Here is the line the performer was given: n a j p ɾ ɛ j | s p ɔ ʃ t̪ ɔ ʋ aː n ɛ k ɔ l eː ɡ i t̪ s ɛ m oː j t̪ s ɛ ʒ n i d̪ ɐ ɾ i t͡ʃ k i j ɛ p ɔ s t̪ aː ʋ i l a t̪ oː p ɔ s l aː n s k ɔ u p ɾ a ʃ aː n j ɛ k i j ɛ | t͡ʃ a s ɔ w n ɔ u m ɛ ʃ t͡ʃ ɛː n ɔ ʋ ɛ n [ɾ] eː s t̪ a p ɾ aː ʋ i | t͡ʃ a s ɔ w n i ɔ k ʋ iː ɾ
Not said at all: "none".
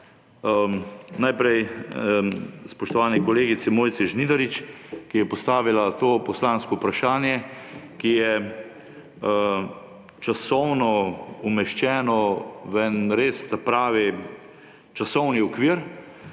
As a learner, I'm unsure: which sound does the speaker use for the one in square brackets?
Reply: ɾ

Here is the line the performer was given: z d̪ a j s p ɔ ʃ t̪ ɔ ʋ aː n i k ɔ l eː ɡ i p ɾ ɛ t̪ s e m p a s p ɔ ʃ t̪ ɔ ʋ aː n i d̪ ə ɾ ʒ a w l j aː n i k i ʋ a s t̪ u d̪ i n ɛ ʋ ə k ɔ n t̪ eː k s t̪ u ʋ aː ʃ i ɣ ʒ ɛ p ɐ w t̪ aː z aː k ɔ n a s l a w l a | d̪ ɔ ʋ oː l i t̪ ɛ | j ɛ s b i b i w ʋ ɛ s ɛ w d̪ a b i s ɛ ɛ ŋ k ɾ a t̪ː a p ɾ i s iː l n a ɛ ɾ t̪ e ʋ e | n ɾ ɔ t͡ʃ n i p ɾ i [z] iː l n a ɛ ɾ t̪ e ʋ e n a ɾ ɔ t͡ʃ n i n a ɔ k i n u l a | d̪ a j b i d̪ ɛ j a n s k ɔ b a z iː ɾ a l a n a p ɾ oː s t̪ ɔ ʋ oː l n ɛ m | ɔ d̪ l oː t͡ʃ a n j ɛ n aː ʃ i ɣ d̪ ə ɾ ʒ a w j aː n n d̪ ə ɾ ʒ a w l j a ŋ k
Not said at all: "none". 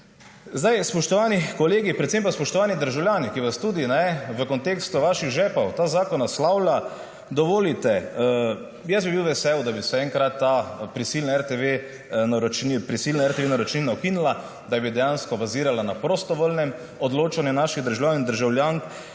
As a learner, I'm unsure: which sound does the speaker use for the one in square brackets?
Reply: s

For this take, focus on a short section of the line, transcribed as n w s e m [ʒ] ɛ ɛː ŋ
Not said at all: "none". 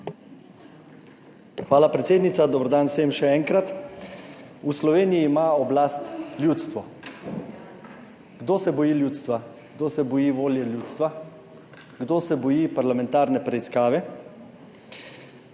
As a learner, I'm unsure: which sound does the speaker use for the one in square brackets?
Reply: ʃ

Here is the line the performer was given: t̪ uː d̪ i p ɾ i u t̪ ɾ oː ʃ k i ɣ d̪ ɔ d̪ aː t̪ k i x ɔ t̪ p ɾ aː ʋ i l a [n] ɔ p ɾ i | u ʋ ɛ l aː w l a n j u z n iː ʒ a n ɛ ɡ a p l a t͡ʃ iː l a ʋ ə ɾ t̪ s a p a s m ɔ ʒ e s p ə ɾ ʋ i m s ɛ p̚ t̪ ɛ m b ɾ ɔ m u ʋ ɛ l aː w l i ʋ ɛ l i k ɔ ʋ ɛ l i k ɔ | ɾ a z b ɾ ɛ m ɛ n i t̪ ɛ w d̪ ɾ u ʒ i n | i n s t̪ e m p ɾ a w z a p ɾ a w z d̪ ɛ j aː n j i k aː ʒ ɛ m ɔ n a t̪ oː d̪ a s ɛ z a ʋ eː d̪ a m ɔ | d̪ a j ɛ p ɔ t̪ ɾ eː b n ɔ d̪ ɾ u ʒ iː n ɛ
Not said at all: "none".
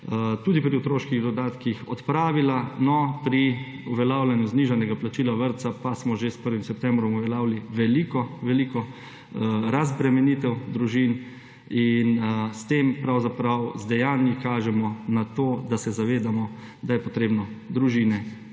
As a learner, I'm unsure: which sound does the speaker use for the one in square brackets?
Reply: n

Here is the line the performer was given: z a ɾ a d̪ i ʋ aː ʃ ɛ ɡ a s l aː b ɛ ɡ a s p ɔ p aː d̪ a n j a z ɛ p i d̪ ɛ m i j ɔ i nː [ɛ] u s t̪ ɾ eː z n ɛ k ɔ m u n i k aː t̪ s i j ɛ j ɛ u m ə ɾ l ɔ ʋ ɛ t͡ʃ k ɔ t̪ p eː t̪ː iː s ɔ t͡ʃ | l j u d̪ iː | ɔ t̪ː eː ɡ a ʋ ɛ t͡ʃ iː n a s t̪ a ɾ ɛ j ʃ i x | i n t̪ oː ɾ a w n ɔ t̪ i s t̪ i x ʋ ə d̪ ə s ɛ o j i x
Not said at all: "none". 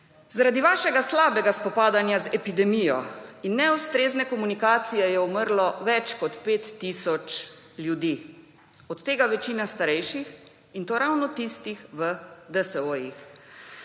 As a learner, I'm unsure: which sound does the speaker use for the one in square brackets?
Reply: ɛ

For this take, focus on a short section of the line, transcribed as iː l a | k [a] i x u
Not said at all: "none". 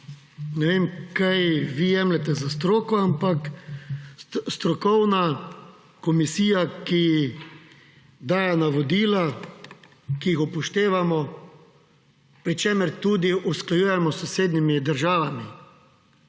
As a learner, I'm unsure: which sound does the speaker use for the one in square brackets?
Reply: i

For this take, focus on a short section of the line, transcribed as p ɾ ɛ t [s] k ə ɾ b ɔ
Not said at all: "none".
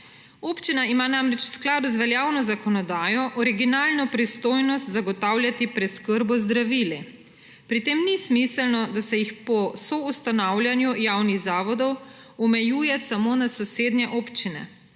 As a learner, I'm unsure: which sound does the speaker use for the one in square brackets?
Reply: s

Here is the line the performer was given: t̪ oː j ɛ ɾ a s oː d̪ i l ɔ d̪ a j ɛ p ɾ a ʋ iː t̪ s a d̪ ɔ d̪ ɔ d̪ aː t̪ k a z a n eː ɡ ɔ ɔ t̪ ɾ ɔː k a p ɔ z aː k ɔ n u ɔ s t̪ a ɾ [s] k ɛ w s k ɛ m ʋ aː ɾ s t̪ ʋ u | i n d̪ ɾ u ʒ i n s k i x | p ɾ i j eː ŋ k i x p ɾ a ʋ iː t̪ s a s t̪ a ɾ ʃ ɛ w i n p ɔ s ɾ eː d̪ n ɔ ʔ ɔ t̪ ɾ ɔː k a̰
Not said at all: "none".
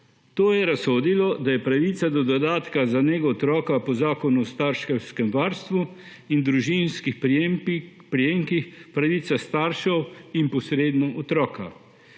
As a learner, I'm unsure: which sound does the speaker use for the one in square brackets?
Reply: ʃ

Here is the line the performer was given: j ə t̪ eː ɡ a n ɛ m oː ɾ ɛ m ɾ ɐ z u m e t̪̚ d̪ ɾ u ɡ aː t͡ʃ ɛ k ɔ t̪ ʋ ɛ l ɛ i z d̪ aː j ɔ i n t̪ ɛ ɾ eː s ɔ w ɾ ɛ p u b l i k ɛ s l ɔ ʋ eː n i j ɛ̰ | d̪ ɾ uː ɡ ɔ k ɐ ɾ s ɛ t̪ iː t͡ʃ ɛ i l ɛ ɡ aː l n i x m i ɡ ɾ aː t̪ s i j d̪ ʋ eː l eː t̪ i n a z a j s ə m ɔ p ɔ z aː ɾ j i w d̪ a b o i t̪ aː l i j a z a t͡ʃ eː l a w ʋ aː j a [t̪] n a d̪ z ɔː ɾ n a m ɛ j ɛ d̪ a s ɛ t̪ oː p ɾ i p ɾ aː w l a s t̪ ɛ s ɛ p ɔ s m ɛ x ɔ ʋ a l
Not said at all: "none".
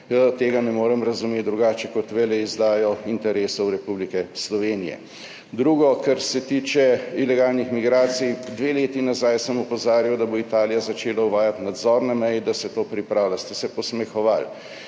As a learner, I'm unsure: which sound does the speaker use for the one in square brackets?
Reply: t̪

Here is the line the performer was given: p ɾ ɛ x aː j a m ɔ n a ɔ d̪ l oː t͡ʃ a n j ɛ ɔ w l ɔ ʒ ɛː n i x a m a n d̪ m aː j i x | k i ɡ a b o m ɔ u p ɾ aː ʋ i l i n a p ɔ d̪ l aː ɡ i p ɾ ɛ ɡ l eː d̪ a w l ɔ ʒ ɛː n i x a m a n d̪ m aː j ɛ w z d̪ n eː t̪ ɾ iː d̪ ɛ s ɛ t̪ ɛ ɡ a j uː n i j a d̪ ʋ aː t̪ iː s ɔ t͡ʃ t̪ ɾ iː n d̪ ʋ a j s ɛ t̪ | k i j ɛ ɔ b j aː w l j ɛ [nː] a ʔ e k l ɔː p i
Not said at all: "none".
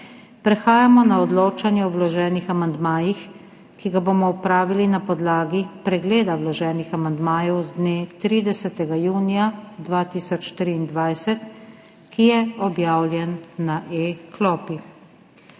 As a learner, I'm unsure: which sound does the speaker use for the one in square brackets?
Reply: nː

